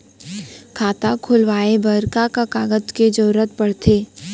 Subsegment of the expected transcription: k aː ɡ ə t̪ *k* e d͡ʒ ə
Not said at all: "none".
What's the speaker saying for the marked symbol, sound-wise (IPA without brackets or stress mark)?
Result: k